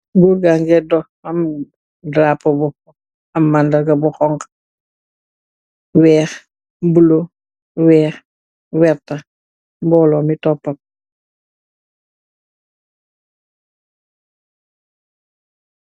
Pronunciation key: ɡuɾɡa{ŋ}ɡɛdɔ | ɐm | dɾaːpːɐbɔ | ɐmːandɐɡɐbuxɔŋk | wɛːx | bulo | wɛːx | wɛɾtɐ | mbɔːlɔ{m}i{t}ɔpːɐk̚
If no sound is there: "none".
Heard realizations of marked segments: ŋ, m, t

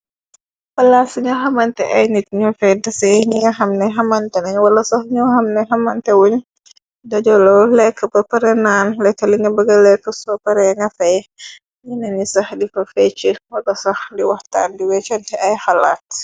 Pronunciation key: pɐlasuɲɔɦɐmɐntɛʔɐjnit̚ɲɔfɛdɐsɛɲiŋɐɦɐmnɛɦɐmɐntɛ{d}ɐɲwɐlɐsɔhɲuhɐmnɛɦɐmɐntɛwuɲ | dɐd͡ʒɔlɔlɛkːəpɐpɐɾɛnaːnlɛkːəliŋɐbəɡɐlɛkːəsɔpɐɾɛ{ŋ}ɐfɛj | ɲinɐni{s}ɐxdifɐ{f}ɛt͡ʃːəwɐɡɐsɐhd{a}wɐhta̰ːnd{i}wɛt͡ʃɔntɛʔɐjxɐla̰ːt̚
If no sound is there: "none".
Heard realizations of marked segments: n, ŋ, s, f, i, i

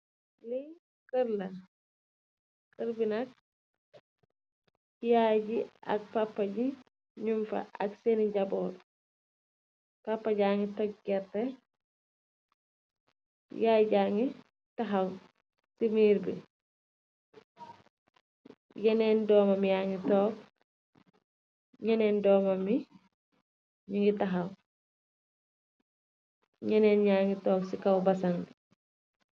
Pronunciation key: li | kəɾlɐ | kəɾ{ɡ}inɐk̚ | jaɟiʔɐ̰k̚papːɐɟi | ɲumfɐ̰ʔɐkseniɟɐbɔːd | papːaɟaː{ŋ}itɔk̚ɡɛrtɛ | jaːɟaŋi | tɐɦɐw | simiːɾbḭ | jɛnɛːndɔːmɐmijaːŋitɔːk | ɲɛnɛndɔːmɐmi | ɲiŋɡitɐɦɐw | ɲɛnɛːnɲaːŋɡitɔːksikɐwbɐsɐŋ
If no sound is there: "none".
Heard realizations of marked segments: b, ŋ

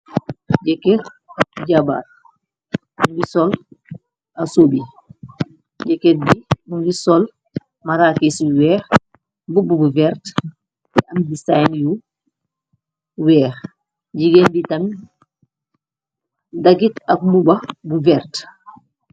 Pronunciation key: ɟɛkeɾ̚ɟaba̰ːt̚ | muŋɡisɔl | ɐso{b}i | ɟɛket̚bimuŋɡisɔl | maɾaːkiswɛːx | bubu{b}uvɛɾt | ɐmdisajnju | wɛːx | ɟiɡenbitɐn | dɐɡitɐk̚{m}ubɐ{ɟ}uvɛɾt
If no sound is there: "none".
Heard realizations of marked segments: b, b, m, b

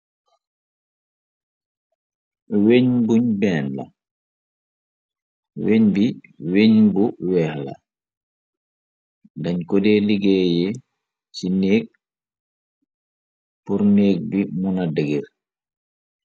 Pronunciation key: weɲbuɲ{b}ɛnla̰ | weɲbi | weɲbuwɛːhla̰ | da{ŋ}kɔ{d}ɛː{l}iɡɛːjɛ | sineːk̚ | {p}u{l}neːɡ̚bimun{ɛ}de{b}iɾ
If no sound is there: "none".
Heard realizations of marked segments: b, ɲ, d, l, p, ɾ, a, ɡ

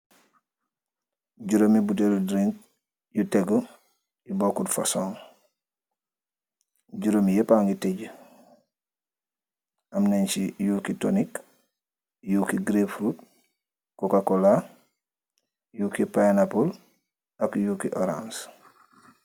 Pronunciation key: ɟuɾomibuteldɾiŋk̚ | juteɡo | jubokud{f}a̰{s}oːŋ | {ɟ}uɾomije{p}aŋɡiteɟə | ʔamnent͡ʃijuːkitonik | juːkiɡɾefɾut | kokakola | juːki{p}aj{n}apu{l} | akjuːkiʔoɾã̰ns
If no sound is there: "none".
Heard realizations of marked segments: f, s, ɟ, p, p, n, l

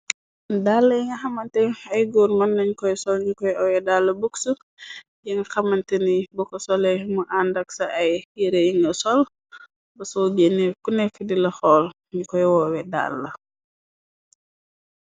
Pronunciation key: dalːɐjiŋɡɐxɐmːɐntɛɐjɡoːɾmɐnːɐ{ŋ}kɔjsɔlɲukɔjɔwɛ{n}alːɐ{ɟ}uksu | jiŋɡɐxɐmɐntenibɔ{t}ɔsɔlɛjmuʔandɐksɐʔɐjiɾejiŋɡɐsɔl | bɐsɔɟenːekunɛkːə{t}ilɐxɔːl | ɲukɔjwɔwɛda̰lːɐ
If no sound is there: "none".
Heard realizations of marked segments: ɲ, d, b, k, d

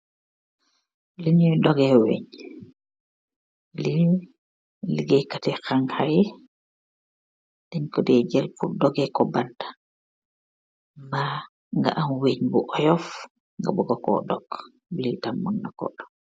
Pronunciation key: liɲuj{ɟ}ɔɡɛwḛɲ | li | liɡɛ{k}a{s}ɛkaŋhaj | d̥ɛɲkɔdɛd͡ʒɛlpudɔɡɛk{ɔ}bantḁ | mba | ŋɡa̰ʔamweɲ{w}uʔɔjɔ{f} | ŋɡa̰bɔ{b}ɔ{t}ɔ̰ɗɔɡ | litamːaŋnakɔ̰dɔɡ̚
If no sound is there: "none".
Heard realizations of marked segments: d, k, t, ɔ, b, f, ɡ, k

